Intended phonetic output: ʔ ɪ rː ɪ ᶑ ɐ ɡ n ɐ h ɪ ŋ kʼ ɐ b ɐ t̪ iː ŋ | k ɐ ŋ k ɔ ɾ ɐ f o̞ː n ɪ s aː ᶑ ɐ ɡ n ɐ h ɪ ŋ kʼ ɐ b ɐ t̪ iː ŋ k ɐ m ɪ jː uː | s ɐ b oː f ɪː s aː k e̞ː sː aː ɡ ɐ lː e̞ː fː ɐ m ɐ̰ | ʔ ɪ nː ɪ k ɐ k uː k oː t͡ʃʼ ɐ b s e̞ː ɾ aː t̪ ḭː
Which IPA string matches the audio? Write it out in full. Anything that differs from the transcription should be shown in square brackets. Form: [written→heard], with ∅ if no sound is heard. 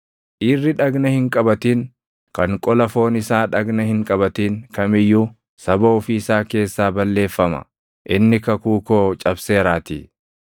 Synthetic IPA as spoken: ʔ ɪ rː ɪ ᶑ ɐ ɡ n ɐ h ɪ ŋ kʼ ɐ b ɐ t̪ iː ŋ | k ɐ ŋ [k→kʼ] ɔ [ɾ→l] ɐ f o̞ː n ɪ s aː ᶑ ɐ ɡ n ɐ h ɪ ŋ kʼ ɐ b ɐ t̪ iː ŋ k ɐ m ɪ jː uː | s ɐ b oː f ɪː s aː k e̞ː sː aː [ɡ→b] ɐ lː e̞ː fː ɐ m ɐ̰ | ʔ ɪ nː ɪ k ɐ k uː k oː t͡ʃʼ ɐ b s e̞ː ɾ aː t̪ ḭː